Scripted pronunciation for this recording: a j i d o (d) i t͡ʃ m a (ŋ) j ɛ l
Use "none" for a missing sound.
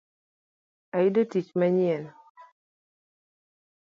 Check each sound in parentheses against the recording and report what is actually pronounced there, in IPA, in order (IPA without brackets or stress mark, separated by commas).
t, ɲ